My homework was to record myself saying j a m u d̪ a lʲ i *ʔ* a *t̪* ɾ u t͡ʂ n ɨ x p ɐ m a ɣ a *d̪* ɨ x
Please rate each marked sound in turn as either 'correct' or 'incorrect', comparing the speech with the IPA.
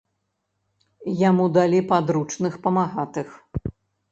incorrect: p, incorrect: d̪, incorrect: t̪

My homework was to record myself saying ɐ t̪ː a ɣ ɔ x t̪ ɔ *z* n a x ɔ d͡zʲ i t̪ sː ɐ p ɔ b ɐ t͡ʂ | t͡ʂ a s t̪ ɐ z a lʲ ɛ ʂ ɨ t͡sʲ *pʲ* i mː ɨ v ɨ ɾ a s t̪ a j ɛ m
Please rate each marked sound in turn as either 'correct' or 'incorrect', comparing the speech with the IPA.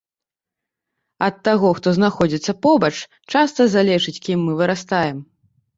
correct, incorrect: kʲ

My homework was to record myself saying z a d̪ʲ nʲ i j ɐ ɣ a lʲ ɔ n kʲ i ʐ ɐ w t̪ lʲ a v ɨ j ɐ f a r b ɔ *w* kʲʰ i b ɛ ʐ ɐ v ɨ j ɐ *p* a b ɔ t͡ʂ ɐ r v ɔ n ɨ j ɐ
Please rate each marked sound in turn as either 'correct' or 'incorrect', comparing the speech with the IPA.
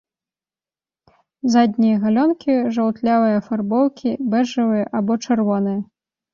correct, incorrect: ʔ

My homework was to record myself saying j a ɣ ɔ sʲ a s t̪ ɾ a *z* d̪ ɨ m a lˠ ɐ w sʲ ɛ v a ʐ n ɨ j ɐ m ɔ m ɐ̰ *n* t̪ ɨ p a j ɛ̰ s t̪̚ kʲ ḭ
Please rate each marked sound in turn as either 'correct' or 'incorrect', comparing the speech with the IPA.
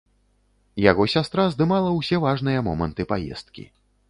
correct, correct

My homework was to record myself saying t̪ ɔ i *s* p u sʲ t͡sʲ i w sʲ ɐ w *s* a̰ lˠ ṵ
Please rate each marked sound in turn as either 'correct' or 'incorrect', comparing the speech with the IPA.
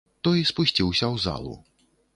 correct, incorrect: z

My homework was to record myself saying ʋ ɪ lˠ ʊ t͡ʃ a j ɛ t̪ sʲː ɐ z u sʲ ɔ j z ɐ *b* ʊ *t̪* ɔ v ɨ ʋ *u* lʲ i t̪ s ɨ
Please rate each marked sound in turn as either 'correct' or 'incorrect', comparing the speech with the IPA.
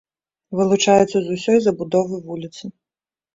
correct, incorrect: d̪, correct

